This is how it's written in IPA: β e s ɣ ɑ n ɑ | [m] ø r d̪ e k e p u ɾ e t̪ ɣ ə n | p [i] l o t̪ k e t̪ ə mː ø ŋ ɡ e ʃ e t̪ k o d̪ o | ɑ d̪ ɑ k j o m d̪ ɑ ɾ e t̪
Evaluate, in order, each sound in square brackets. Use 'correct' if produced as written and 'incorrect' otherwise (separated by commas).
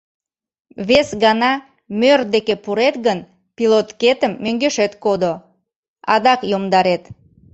correct, correct